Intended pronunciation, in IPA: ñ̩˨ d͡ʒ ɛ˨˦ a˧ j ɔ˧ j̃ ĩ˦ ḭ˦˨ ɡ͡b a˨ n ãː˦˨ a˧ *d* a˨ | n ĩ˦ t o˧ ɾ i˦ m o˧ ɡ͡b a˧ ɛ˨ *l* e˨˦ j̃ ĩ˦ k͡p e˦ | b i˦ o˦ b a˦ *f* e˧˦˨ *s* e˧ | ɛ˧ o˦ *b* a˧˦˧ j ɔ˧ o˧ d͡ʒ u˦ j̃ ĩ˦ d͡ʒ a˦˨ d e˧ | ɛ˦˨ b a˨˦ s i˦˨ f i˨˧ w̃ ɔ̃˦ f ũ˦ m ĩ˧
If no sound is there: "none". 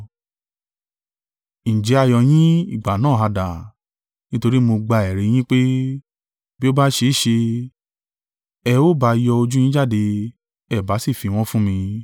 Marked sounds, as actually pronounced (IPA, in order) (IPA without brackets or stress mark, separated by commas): d, ɾ, ʃ, ʃ, b